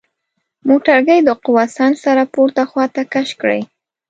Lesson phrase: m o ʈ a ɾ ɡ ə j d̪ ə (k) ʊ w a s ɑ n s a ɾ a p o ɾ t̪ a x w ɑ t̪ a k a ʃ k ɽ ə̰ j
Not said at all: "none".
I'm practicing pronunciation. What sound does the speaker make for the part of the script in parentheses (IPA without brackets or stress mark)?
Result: q